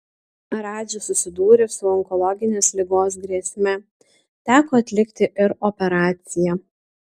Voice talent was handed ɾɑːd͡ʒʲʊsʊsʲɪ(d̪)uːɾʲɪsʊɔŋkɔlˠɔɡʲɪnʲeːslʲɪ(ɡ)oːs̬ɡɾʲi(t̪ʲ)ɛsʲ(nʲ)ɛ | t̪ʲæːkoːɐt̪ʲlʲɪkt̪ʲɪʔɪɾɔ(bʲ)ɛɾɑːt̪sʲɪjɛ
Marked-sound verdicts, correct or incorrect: correct, correct, incorrect, incorrect, incorrect

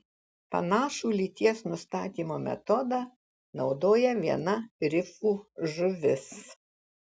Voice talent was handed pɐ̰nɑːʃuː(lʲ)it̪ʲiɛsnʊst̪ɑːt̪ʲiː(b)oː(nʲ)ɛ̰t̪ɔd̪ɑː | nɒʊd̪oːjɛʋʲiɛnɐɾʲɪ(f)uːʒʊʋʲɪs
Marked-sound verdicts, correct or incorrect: correct, incorrect, incorrect, correct

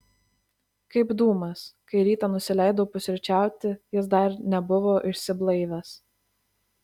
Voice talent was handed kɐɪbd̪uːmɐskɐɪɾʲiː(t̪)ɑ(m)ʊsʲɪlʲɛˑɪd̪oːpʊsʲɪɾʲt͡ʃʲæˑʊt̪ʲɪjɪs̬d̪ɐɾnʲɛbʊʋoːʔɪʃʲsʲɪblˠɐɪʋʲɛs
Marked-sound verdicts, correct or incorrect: correct, incorrect

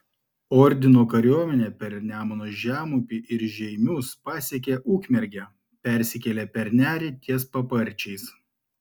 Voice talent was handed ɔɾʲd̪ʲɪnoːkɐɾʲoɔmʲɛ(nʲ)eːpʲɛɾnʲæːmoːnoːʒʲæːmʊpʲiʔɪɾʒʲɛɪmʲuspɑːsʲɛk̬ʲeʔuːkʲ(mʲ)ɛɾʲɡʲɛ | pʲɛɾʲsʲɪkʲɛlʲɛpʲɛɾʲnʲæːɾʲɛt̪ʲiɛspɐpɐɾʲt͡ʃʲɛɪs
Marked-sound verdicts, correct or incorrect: correct, correct

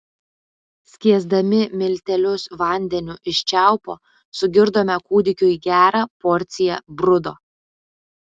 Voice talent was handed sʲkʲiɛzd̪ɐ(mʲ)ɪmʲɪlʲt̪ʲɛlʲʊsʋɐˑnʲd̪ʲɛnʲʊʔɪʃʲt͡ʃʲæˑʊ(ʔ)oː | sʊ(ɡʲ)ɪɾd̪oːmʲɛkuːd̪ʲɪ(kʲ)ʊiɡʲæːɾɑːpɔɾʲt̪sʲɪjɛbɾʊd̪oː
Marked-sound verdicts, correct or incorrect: correct, incorrect, correct, correct

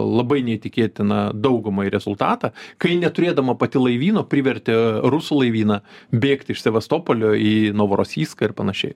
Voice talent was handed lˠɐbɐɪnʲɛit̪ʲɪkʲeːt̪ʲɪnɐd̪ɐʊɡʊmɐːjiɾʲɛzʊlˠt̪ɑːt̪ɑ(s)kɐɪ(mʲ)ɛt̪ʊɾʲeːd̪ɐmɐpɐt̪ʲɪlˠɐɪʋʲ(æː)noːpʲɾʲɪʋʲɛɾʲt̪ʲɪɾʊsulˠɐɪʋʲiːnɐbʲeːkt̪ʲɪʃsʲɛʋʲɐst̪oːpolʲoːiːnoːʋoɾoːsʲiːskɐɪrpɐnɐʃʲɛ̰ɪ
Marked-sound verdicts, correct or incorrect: incorrect, incorrect, incorrect

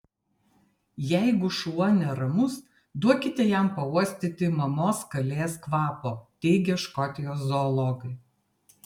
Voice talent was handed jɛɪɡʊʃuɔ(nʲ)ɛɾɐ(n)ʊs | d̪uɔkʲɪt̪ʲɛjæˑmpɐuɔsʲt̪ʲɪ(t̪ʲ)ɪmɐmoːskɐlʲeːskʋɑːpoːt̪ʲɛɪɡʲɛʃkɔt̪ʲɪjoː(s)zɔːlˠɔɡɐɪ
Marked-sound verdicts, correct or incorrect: correct, incorrect, correct, correct

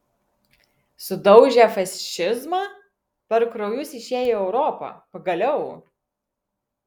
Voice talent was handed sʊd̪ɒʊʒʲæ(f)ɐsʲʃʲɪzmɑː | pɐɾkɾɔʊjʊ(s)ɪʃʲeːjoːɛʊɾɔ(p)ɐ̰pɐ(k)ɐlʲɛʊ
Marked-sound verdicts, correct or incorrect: correct, correct, correct, incorrect

